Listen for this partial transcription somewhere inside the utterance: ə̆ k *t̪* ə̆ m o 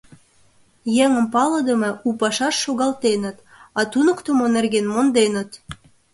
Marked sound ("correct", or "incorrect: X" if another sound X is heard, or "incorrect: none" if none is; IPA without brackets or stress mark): correct